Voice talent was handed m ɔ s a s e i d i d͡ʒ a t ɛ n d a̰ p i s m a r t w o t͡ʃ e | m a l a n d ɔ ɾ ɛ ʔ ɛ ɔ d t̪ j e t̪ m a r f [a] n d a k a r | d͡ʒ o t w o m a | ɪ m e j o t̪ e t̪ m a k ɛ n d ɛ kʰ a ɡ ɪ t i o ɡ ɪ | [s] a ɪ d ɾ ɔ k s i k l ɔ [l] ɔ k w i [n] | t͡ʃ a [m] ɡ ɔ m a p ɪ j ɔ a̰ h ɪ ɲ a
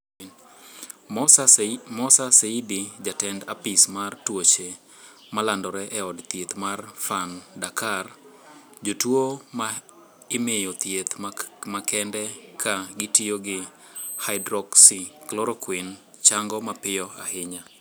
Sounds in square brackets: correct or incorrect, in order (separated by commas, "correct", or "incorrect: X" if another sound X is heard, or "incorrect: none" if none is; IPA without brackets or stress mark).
correct, incorrect: h, incorrect: ɾ, correct, incorrect: ŋ